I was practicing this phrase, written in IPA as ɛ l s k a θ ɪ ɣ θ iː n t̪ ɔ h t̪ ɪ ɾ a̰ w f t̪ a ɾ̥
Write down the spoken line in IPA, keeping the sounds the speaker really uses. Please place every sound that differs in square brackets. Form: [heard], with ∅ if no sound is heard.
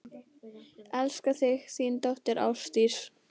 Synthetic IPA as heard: ɛ l s k a θ ɪ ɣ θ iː n t̪ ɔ h t̪ ɪ ɾ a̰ w [s] t̪ [i] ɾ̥